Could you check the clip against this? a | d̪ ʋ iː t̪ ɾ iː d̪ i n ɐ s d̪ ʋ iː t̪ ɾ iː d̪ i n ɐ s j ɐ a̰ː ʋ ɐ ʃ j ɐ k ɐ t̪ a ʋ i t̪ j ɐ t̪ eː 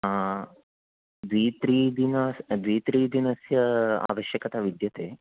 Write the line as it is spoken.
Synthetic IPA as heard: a | d̪ ʋ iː t̪ ɾ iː d̪ i n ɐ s d̪ ʋ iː t̪ ɾ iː d̪ i n ɐ s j ɐ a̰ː ʋ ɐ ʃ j ɐ k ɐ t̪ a ʋ i d̪ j ɐ t̪ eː